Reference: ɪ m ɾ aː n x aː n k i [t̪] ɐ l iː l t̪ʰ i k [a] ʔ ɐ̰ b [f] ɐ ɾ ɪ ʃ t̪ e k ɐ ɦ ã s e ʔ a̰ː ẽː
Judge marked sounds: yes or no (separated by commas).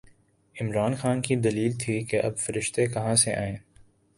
no, no, yes